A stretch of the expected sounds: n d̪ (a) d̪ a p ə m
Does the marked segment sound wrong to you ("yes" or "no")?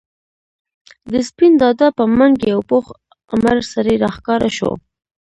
yes